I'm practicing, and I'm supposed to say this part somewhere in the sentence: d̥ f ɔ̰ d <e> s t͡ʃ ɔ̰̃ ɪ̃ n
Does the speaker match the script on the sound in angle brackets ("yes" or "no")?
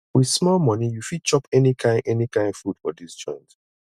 no